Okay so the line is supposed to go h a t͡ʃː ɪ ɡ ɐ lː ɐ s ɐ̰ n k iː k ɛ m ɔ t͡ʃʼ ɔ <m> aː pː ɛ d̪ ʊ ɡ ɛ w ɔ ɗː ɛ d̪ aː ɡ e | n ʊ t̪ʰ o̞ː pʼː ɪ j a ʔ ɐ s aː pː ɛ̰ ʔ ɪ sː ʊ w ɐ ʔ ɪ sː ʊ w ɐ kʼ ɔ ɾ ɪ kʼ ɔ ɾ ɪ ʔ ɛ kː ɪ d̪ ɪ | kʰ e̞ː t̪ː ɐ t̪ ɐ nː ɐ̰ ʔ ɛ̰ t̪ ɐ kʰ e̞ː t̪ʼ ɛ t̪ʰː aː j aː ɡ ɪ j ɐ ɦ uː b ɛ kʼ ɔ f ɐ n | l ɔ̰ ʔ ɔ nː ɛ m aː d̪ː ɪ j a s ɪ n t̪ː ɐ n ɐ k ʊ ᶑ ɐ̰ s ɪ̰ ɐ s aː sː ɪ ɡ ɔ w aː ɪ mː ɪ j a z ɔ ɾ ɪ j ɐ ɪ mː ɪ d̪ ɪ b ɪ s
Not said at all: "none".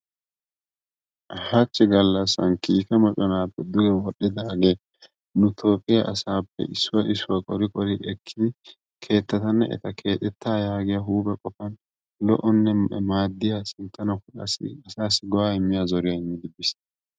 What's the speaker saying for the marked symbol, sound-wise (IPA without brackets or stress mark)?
n